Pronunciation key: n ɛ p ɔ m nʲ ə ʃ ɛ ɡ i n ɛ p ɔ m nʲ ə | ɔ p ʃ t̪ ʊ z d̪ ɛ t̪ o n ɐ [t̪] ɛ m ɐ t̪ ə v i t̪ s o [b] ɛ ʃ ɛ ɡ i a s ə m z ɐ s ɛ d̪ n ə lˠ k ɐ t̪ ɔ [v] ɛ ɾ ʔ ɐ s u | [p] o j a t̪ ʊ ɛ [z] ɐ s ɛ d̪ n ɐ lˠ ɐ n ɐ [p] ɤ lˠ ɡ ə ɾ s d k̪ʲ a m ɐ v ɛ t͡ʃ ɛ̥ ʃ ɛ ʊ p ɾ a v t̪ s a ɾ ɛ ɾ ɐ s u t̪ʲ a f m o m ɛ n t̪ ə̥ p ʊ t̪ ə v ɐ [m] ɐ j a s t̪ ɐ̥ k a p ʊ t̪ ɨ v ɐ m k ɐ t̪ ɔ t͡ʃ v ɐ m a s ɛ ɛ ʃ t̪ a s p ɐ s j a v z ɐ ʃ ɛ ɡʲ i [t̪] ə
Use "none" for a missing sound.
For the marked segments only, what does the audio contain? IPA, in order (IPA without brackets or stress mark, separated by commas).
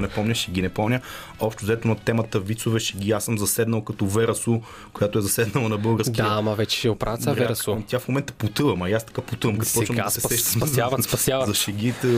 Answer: t̪, v, v, k, z, b, m, t̪